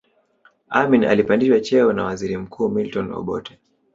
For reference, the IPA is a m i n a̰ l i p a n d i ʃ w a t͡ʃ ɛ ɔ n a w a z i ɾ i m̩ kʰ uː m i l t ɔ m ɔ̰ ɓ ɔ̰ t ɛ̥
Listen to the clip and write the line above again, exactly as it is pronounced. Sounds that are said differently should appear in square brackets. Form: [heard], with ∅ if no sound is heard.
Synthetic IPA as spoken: a m i n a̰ l i p a n d i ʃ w a t͡ʃ ɛ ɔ n a w a z i ɾ i m̩ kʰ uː m i l t ɔ [n] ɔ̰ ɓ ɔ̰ t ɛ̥